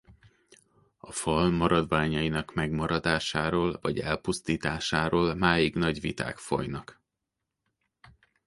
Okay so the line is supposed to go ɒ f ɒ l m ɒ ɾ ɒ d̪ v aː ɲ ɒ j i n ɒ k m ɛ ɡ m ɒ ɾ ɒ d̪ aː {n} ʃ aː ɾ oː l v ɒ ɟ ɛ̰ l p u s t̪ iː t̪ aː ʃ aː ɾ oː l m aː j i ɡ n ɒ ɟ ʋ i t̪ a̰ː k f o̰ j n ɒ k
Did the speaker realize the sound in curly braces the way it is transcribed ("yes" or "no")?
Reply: no